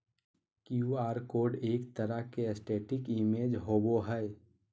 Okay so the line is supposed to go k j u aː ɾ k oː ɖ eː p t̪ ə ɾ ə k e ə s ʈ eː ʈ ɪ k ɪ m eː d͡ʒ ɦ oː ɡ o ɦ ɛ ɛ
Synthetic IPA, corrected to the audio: k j u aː ɾ k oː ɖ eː k t̪ ə ɾ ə k e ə s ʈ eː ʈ ɪ k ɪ m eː d͡ʒ ɦ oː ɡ o ɦ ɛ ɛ

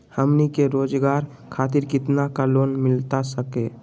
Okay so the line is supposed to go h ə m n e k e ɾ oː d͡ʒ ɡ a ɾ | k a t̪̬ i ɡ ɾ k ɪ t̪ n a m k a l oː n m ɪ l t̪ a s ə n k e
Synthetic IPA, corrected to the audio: h ə m n i k e ɾ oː d͡ʒ ɡ a ɾ | kʰ a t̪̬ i ɾ k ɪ t̪ n a k a l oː n m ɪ l t̪ a s ə k e

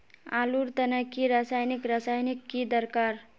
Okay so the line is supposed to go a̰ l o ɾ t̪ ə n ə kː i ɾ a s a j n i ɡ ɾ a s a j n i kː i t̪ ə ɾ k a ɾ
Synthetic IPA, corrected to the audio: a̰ l u ɾ t̪ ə n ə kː i ɾ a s a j n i k ɾ a s a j n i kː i d̪ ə ɾ k a ɾ

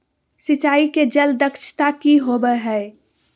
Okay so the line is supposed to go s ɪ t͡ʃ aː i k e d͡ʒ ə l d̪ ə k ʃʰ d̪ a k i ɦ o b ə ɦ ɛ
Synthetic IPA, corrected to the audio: s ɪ t͡ʃ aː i k e d͡ʒ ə l d̪ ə k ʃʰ t̪ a k i ɦ o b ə ɦ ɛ

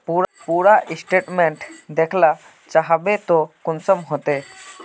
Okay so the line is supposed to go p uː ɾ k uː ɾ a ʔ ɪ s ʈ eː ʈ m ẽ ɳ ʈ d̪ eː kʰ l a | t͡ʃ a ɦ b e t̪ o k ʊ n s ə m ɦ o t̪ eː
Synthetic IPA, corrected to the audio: p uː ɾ p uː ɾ a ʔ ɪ s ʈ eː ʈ m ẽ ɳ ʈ d̪ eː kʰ l a | t͡ʃ a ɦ b e t̪ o k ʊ n s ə m ɦ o t̪ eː

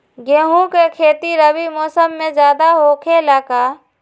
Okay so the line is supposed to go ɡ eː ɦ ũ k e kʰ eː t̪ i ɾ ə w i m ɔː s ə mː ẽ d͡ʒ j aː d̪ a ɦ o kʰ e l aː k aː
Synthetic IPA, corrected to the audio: ɡ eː ɦ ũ k e kʰ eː t̪ i ɾ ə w i m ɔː s ə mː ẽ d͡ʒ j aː d̪ a ɦ o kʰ e l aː k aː

